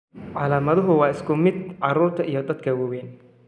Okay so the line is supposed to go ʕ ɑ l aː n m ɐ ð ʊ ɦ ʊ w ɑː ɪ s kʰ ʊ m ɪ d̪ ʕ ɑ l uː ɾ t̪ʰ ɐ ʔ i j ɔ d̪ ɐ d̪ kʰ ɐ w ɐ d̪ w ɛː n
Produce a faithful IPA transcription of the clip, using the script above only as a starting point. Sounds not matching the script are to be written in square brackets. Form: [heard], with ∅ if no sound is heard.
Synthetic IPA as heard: ʕ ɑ l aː [∅] m ɐ ð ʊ ɦ ʊ w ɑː ɪ s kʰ ʊ m ɪ d̪ ʕ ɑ [ɾ] uː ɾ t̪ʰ ɐ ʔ i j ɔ d̪ ɐ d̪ kʰ ɐ w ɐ [∅] w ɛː n

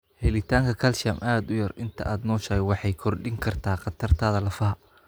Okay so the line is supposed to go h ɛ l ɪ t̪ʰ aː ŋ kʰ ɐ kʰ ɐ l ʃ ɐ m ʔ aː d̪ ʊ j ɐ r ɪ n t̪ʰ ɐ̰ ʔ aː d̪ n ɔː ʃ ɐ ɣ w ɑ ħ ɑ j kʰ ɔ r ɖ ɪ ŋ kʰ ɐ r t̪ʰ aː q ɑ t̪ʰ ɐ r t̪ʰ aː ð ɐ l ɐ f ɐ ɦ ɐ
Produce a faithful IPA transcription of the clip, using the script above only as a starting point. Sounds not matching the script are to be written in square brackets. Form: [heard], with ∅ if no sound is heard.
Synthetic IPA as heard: h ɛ l ɪ t̪ʰ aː ŋ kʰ ɐ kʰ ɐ l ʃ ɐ m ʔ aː d̪ ʊ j ɐ r ɪ n t̪ʰ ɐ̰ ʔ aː d̪ n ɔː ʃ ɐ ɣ w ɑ ħ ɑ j kʰ ɔ r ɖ ɪ ŋ kʰ ɐ r t̪ʰ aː q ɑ t̪ʰ ɐ r t̪ʰ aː ð ɐ l ɐ f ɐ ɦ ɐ

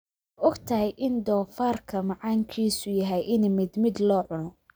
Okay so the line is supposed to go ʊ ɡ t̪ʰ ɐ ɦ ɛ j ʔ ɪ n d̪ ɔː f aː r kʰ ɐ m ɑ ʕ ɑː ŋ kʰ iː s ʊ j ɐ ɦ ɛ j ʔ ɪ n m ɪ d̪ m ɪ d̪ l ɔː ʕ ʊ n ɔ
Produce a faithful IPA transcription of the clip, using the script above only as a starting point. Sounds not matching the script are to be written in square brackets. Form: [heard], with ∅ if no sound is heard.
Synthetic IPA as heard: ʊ ɡ t̪ʰ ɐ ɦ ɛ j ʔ ɪ n d̪ ɔː f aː r kʰ ɐ m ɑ ʕ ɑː ŋ kʰ iː s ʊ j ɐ ɦ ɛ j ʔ ɪ n m ɪ d̪ m ɪ d̪ l ɔː ʕ ʊ n ɔ

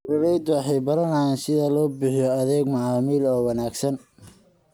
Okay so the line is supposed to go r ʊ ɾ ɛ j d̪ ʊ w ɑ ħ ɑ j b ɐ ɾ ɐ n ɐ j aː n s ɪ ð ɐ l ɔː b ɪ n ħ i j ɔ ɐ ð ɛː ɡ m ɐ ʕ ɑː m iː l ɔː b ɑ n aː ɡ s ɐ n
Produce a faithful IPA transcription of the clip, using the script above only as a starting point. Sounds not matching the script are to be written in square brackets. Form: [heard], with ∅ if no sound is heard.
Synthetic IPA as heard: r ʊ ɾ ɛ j d̪ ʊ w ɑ ħ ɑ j b ɐ ɾ ɐ n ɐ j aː n s ɪ ð ɐ l ɔː b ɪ [∅] ħ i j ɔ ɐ ð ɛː ɡ m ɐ ʕ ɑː m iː l ɔː [w] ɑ n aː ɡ s ɐ n

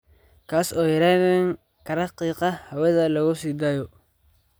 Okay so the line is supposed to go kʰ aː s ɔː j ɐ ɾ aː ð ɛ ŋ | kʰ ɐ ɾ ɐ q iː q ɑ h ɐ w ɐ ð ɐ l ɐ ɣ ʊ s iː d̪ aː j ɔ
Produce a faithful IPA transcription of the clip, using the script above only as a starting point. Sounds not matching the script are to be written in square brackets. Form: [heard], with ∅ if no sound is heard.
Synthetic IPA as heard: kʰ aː s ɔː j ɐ ɾ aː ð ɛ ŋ | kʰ ɐ ɾ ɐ q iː q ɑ h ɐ w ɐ ð ɐ l ɐ ɣ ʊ s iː d̪ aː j ɔ

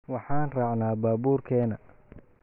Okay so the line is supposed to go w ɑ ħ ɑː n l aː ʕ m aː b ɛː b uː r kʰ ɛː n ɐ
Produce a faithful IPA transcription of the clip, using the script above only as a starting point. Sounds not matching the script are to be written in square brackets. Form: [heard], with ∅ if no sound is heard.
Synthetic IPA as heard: w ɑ ħ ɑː n [r] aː ʕ [n] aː b [aː] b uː r kʰ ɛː n ɐ

